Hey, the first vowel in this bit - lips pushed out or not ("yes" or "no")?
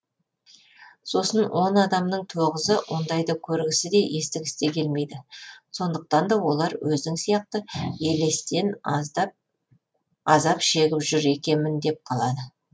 yes